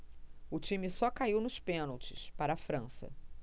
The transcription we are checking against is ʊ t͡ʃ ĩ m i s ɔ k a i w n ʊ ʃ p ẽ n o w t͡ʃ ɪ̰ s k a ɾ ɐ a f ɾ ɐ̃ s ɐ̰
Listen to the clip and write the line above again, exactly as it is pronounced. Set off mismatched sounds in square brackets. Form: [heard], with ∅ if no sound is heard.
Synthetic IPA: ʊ t͡ʃ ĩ m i s ɔ k a i w n ʊ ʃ p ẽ n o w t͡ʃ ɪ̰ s [p] a ɾ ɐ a f ɾ ɐ̃ s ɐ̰